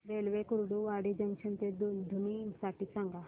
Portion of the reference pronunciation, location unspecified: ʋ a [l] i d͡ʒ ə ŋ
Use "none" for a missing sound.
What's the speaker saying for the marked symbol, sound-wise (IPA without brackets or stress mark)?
ɽ